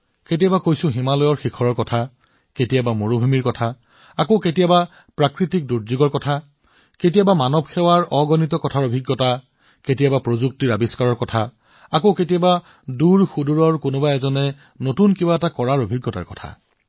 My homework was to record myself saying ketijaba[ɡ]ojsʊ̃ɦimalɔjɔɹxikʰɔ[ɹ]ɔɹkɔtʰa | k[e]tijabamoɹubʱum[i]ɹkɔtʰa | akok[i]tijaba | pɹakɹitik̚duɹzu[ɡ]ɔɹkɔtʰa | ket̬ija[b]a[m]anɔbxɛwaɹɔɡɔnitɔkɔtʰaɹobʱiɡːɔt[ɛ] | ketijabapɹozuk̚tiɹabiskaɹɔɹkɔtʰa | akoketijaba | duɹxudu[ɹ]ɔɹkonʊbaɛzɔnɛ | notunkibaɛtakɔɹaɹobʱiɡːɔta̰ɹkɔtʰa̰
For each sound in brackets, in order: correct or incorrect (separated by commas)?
incorrect, correct, correct, correct, incorrect, correct, correct, correct, incorrect, correct